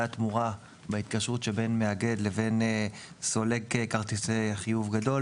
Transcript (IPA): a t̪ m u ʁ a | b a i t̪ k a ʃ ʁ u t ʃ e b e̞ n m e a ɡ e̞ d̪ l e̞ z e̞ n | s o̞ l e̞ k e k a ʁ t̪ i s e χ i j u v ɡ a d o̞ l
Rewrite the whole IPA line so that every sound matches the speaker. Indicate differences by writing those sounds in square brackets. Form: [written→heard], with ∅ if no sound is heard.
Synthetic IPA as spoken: a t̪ m u ʁ a | b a i t̪ k a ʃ ʁ u t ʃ e b e̞ n m e a ɡ e̞ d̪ l e̞ [z→v] e̞ n | s o̞ l e̞ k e k a ʁ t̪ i s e χ i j u v ɡ a d o̞ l